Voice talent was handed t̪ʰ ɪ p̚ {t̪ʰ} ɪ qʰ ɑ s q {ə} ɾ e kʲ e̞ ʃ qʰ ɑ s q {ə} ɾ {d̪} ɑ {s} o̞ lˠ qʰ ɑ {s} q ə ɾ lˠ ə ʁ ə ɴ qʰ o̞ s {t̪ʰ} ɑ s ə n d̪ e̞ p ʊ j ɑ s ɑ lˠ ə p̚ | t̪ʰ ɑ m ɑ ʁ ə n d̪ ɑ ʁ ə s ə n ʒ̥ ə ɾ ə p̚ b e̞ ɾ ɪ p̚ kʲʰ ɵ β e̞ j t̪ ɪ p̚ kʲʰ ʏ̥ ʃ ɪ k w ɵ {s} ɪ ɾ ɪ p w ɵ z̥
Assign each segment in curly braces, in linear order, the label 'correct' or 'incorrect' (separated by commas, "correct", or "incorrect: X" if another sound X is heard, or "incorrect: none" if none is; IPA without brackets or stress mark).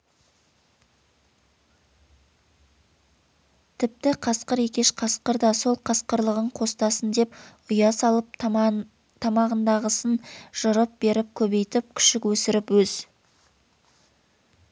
incorrect: t̪, correct, correct, correct, correct, correct, incorrect: t̪, correct